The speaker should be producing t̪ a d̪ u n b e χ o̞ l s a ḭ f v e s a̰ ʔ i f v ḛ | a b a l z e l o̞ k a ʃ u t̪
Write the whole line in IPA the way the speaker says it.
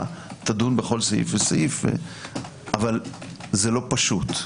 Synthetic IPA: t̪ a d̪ u n b e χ o̞ l s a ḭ f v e s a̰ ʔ i f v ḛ | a v a l z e l o̞ p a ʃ u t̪